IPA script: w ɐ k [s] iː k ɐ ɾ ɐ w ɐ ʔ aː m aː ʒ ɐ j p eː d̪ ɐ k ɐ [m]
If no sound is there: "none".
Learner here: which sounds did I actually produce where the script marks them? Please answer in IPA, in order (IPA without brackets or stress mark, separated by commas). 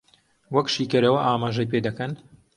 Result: ʃ, n